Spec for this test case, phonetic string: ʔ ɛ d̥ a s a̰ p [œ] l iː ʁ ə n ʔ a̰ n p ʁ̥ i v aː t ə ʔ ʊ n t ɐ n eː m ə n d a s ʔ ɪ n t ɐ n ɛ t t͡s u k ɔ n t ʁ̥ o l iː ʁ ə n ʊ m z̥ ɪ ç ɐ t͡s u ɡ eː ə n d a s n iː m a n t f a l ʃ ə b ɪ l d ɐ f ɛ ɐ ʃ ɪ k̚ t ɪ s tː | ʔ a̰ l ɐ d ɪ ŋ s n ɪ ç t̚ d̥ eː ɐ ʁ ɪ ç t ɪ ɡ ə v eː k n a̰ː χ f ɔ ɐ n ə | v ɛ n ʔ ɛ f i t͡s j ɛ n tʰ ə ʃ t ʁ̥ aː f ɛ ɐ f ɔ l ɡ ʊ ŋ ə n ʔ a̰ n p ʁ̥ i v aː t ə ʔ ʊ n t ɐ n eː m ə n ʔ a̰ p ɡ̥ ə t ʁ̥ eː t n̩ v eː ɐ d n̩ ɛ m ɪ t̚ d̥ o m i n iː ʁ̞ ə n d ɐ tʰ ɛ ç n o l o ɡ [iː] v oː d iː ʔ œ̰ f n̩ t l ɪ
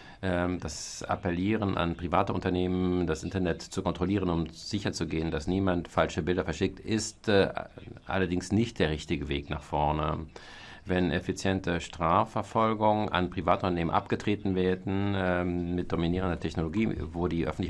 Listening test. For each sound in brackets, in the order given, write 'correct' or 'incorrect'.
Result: incorrect, correct

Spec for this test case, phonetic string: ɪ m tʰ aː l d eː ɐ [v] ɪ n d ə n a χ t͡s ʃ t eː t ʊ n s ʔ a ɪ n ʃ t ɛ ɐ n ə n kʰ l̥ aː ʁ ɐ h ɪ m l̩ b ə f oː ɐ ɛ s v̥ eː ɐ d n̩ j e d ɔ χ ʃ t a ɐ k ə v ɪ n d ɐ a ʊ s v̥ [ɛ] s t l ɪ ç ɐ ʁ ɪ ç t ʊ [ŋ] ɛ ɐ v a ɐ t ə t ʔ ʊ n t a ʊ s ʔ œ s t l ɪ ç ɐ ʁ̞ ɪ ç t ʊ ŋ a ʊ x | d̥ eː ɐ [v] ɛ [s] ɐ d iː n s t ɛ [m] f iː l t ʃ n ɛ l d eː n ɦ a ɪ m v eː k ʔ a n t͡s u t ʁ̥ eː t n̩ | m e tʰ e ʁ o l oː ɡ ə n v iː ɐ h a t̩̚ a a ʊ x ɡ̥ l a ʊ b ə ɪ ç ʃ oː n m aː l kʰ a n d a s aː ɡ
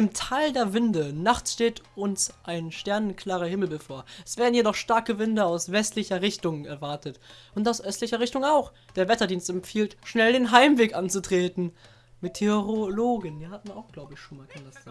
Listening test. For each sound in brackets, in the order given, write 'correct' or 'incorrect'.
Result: correct, correct, correct, correct, incorrect, correct

